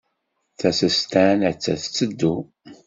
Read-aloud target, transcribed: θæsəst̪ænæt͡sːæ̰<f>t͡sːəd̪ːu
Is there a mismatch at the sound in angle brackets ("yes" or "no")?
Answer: yes